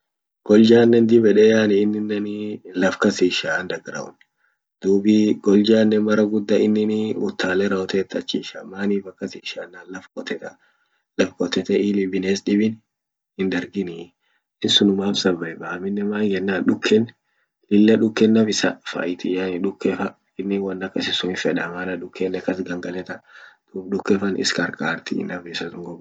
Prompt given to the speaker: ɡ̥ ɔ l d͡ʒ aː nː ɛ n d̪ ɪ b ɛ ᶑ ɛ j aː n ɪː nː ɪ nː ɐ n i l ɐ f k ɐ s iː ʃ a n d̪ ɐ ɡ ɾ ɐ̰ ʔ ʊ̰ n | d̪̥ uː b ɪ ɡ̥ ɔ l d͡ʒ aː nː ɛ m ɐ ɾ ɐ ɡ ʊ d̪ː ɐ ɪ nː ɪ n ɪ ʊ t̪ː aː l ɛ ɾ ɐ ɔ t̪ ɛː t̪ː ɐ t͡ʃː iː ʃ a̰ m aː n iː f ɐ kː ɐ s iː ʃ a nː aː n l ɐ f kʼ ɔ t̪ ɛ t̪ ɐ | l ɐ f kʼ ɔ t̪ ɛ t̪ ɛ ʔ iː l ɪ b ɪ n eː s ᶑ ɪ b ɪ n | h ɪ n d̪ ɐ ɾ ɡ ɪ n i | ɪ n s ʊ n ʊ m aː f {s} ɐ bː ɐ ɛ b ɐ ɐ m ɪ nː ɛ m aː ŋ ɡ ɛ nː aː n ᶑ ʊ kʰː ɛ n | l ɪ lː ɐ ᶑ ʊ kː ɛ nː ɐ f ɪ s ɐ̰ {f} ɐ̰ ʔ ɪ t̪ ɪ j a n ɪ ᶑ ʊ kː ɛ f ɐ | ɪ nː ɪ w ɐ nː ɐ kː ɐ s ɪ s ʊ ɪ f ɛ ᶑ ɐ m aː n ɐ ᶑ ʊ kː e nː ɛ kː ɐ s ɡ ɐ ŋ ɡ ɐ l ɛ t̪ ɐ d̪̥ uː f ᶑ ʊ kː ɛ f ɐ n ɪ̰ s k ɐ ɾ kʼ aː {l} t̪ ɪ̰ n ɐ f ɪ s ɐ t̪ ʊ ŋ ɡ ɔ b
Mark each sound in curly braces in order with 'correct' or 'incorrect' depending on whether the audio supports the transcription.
correct, correct, incorrect

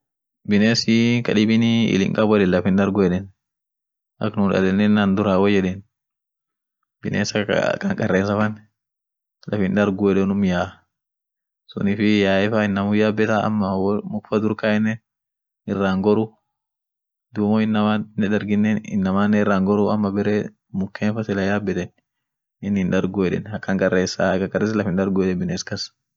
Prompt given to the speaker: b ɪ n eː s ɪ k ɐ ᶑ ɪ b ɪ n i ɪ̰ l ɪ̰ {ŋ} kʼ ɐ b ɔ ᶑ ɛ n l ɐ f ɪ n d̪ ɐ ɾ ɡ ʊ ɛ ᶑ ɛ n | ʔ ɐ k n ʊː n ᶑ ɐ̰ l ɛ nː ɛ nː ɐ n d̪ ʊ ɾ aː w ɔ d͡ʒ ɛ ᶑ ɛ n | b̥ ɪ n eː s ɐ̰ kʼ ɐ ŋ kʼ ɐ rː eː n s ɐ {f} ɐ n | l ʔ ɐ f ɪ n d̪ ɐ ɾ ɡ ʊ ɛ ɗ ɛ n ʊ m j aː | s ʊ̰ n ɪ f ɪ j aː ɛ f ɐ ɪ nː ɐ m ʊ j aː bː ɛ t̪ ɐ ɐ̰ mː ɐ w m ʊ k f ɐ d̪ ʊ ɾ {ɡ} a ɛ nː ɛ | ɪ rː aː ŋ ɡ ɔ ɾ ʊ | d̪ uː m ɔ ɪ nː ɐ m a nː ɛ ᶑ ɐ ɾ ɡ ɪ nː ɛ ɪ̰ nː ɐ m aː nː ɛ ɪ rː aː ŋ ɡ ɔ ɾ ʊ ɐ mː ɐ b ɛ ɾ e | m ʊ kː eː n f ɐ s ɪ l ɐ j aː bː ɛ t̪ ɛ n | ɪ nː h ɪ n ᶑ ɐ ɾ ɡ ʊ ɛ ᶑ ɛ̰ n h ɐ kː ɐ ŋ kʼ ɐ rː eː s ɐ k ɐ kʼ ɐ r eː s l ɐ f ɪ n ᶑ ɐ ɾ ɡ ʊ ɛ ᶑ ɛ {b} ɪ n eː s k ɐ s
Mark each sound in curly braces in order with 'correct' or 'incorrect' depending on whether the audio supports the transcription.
correct, correct, incorrect, correct

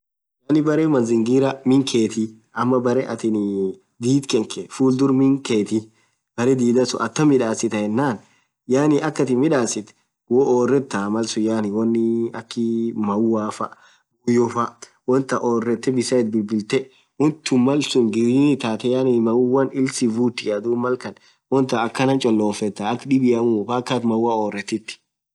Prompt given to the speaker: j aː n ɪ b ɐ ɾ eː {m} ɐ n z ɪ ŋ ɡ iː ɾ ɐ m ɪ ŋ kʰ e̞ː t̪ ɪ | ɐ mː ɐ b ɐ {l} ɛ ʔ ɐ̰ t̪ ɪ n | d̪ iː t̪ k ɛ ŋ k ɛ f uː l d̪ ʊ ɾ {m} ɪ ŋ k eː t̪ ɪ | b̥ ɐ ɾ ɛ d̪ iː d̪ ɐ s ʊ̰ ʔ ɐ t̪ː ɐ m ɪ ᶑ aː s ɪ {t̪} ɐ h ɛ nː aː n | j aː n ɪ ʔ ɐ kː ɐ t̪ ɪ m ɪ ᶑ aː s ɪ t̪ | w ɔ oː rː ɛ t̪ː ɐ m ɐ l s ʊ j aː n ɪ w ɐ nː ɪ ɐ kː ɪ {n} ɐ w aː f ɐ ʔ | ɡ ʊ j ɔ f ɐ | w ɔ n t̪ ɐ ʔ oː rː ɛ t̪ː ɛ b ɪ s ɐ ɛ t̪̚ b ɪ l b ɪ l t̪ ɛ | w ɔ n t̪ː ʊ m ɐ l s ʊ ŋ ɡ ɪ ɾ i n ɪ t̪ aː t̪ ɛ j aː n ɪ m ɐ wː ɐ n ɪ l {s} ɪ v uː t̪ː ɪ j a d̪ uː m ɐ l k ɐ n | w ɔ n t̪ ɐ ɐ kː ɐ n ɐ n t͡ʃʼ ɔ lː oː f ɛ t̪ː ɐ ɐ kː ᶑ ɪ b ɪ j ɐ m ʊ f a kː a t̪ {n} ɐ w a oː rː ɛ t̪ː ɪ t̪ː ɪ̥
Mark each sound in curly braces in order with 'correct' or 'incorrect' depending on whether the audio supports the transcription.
correct, incorrect, correct, correct, incorrect, correct, incorrect

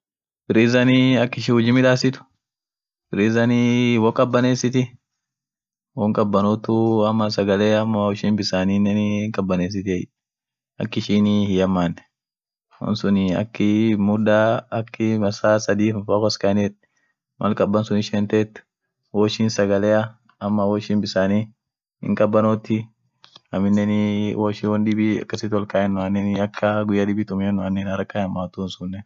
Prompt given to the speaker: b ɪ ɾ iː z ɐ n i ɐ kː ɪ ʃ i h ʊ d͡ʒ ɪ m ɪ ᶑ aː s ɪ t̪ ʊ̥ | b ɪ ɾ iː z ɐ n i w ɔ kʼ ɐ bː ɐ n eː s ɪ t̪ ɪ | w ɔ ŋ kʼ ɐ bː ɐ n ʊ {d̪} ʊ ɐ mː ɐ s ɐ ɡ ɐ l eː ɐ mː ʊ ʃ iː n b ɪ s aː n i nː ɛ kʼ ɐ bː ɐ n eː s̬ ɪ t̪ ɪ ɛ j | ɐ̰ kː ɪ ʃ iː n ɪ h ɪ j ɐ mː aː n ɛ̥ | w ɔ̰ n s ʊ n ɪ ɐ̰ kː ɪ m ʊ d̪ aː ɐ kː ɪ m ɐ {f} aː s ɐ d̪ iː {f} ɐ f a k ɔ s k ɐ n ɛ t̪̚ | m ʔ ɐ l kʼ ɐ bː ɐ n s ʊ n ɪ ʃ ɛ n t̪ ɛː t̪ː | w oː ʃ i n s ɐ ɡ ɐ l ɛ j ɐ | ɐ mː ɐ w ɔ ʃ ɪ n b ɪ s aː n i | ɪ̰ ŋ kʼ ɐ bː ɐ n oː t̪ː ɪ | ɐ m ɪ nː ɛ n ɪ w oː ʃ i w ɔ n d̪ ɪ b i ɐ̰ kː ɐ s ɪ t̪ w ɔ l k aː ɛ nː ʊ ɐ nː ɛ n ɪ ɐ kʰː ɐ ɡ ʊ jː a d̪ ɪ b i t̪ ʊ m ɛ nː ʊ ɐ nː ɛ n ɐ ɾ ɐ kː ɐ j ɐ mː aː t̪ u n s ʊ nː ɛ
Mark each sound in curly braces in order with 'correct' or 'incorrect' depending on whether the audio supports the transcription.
incorrect, incorrect, correct

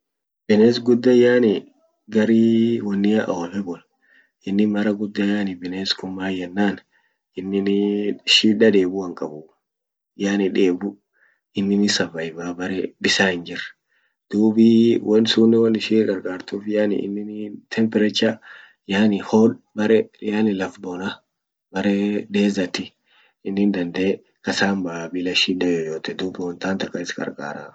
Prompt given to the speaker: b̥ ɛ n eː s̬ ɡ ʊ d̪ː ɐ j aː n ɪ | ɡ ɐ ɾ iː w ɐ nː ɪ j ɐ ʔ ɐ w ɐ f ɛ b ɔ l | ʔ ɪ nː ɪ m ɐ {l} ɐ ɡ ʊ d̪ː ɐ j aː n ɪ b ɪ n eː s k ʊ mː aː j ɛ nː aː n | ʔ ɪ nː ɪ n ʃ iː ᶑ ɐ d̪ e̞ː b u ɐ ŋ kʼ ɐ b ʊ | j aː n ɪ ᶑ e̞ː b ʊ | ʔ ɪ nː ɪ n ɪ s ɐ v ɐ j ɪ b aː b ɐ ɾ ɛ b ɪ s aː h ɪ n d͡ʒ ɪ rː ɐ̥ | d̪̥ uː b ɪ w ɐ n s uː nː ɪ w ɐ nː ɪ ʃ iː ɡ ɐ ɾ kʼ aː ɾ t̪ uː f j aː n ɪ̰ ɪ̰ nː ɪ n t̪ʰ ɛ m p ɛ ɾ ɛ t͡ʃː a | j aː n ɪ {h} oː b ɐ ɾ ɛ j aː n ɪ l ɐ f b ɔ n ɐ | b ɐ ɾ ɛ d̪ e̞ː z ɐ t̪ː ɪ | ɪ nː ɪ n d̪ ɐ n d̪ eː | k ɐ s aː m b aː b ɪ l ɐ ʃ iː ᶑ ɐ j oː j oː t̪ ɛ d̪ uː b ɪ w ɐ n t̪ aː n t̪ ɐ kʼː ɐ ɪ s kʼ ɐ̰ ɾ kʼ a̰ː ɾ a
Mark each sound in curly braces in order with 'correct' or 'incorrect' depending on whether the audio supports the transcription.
incorrect, correct

